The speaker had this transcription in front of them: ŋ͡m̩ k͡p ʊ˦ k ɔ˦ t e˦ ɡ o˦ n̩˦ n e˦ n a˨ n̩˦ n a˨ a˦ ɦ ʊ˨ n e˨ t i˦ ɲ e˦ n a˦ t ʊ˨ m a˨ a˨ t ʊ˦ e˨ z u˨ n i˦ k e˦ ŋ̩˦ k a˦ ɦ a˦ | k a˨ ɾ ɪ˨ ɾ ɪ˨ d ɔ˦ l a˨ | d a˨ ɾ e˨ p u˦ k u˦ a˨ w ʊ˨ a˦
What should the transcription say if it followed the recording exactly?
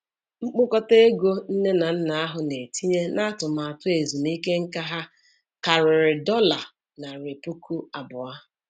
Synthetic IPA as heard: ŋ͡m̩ k͡p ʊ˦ k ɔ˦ t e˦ ɡ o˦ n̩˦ n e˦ n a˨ n̩˦ n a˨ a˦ ɦ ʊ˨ n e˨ t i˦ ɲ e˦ n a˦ t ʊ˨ m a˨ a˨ t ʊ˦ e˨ z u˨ n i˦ k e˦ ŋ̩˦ k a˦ ɦ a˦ | k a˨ ɾ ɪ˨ ɾ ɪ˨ d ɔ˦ l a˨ | n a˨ ɾ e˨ p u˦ k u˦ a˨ b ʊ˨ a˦